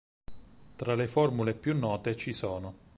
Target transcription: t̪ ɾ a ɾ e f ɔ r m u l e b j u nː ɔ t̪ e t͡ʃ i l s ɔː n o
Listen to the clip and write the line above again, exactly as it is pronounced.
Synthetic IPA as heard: t̪ ɾ a l e f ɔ r m u l e p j u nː ɔː t̪ e t͡ʃ i s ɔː n o